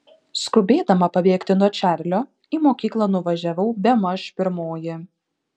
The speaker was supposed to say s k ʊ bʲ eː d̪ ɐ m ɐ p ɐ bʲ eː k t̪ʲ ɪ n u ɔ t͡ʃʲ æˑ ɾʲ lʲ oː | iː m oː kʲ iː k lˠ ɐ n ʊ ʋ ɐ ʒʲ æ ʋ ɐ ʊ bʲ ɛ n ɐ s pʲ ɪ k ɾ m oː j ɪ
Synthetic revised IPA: s k ʊ bʲ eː d̪ ɐ m ɐ p ɐ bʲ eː k t̪ʲ ɪ n u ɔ t͡ʃʲ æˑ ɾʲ lʲ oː | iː m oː kʲ iː k lˠ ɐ n ʊ ʋ ɐ ʒʲ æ ʋ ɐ ʊ bʲ ɛ m ɐ ʃ pʲ ɪ ɾ m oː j ɪ